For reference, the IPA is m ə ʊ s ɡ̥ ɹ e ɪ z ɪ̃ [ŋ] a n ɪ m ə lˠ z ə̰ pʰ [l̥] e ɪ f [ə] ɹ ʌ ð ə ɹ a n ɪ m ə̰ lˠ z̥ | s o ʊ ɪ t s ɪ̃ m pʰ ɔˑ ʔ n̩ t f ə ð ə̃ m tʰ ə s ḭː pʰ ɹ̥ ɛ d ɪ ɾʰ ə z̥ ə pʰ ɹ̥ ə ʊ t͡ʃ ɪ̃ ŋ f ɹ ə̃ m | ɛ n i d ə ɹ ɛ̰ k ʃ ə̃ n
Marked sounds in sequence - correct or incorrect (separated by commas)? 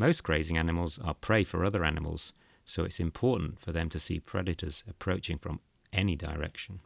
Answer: correct, incorrect, correct